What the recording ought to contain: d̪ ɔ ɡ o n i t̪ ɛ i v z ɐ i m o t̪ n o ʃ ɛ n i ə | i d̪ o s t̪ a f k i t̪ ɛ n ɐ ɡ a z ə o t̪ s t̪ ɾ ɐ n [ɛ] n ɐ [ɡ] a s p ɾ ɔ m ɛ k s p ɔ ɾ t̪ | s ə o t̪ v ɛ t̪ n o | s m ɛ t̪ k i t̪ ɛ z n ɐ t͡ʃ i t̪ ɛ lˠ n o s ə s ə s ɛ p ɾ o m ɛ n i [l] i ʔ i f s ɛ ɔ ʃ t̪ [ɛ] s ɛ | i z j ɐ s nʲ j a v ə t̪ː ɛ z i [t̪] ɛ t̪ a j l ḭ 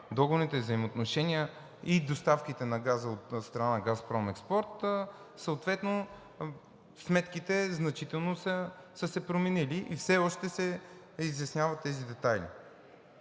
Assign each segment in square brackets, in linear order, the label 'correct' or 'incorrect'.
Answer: incorrect, correct, correct, correct, incorrect

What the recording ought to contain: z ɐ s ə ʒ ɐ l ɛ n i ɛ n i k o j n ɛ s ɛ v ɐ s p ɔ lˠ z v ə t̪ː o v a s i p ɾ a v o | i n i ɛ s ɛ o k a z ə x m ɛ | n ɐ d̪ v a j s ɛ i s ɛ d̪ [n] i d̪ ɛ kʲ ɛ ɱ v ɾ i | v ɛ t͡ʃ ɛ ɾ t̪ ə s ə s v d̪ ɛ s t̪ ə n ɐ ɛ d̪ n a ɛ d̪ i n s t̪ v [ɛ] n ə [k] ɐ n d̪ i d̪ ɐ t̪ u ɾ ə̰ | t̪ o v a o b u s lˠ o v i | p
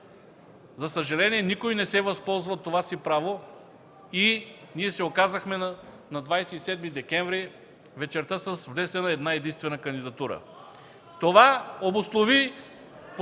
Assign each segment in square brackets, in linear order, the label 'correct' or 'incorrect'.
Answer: incorrect, correct, correct

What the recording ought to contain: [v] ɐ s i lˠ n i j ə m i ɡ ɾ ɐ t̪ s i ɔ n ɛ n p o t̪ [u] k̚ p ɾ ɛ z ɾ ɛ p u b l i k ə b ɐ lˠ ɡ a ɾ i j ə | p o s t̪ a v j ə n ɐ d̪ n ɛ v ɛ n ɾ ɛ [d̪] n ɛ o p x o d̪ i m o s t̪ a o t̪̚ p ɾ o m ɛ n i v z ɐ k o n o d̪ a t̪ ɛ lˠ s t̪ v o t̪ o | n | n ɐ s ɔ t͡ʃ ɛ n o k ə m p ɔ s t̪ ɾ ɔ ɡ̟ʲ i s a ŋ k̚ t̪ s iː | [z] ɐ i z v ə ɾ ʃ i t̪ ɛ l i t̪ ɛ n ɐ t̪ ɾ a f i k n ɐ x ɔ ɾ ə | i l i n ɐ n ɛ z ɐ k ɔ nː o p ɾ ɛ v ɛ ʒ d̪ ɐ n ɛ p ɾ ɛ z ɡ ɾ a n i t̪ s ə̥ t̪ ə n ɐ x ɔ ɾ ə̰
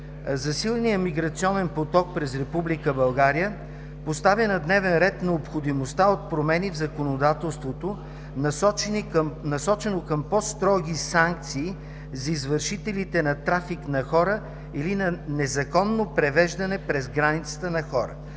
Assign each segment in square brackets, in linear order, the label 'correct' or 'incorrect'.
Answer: incorrect, incorrect, incorrect, correct

